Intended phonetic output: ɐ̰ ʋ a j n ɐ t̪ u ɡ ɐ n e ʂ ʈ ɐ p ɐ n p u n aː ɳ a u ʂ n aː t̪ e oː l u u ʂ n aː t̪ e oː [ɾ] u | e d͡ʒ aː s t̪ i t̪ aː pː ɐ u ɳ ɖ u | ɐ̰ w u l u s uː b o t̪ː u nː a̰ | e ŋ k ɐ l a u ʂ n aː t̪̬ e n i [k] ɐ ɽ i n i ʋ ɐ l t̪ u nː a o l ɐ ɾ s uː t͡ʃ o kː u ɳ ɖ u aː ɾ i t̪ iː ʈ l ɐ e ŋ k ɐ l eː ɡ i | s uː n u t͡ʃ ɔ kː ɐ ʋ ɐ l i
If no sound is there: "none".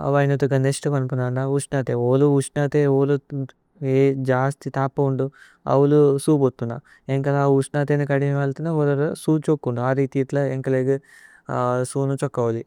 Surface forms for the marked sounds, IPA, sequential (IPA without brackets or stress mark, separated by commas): l, k